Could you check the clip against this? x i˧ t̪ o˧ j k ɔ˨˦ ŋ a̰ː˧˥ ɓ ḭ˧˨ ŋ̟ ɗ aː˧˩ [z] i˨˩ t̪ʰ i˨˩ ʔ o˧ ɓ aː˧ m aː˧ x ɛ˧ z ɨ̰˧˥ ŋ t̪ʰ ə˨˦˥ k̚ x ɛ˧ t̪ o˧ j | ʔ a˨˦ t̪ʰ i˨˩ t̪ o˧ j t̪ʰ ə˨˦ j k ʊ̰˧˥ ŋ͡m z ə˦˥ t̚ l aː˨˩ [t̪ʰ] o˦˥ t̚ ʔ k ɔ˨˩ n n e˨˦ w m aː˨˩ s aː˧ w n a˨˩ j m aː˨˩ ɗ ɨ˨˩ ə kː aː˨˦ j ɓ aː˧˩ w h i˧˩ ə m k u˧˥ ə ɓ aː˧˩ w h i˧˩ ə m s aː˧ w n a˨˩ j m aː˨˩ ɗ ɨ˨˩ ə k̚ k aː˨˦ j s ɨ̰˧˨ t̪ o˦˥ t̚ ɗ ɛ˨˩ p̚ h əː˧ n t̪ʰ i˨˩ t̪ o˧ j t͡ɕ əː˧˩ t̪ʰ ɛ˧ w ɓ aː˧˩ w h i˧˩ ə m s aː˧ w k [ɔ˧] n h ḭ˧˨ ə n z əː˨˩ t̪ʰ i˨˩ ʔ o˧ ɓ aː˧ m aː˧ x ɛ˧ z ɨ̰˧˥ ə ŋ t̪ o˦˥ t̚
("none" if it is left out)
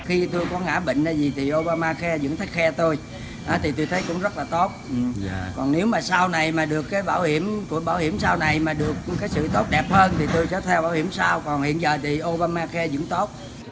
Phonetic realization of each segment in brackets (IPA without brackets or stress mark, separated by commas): z, t̪, ɔ˨˩